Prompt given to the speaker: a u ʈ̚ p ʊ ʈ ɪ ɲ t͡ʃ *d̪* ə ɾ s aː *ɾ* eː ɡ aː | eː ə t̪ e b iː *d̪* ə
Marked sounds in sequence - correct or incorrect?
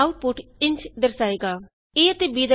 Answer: correct, incorrect, correct

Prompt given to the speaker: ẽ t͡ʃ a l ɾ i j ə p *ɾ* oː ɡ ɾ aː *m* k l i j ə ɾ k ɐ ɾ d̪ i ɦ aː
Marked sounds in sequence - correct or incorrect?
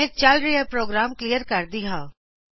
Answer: correct, correct

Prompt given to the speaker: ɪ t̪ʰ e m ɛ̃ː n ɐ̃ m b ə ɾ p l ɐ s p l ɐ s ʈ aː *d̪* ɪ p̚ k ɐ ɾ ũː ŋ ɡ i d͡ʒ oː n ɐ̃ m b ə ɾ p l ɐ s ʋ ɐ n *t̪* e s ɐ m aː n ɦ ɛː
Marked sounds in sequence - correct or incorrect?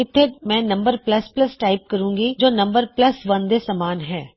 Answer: incorrect, incorrect

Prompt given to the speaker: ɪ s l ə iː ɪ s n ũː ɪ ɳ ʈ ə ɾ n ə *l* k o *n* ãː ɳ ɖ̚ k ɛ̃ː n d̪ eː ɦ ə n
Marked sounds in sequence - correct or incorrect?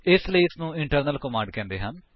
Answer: correct, incorrect

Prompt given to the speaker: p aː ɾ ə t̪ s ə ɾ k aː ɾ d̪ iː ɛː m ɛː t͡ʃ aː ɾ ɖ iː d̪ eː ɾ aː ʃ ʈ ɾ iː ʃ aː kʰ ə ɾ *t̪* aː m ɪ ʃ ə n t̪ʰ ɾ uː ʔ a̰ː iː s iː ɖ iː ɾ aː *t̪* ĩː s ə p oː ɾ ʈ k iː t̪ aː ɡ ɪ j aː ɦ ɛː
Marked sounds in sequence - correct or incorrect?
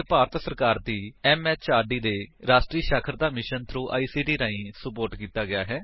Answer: incorrect, incorrect

